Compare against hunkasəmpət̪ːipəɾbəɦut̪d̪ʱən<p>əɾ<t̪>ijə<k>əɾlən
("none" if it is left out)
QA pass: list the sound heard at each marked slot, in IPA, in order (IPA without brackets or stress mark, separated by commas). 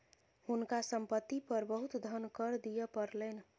k, d̪, p